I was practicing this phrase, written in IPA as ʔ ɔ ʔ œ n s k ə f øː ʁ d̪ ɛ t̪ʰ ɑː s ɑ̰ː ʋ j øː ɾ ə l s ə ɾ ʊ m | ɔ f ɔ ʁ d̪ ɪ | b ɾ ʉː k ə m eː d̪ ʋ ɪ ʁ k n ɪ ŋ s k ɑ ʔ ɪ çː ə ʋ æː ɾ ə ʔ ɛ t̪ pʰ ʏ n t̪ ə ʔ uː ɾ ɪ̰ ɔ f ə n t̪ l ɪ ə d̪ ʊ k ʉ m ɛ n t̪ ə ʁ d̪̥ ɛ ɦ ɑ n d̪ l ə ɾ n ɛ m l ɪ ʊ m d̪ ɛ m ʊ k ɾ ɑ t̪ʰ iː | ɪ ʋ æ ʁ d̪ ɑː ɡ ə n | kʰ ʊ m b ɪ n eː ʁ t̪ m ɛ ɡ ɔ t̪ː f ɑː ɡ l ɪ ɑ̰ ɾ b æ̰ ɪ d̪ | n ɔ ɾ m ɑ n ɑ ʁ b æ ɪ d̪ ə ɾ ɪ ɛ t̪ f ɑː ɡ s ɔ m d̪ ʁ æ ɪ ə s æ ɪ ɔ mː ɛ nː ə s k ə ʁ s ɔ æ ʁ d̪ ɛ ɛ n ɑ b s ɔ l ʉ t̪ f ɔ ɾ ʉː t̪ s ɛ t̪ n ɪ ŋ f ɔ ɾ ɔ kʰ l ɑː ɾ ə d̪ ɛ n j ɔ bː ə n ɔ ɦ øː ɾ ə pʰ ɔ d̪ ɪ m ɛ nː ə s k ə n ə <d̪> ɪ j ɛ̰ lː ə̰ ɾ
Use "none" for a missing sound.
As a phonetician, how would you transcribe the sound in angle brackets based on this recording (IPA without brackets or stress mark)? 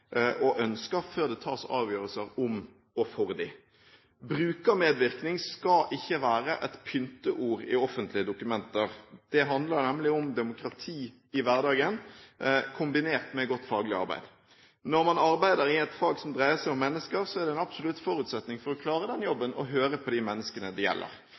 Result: d̪